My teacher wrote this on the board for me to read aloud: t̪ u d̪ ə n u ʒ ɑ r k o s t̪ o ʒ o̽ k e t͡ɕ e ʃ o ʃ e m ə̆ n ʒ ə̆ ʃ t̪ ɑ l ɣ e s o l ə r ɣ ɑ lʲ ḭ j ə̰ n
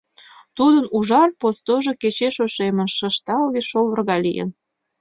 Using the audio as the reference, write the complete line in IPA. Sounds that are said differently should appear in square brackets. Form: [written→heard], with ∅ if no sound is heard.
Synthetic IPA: t̪ u d̪ ə n u ʒ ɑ r [k→p] o s t̪ o ʒ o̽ k e t͡ɕ e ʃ o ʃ e m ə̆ n [ʒ→ʃ] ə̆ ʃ t̪ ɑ l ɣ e [s→ʃ] o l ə r ɣ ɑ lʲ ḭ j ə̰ n